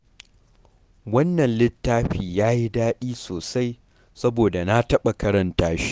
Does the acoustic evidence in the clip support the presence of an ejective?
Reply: no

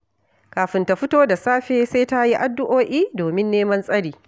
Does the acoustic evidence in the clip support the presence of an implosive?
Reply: no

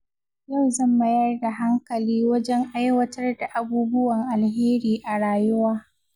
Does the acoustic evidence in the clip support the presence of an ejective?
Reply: no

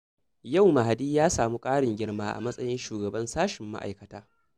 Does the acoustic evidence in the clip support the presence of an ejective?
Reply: yes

